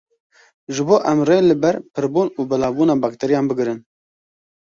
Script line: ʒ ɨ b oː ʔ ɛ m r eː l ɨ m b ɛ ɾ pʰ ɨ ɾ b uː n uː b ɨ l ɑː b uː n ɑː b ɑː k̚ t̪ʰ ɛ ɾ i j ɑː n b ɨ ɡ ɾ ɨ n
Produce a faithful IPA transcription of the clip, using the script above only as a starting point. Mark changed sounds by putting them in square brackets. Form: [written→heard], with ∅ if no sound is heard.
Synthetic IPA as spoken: ʒ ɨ b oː ʔ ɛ m r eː l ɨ [m→∅] b ɛ ɾ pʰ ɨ ɾ b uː n uː b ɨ l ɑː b uː n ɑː b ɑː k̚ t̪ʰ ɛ ɾ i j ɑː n b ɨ ɡ ɾ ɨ n